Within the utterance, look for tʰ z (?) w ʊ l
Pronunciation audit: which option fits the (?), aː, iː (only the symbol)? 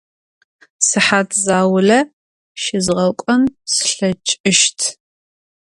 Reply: aː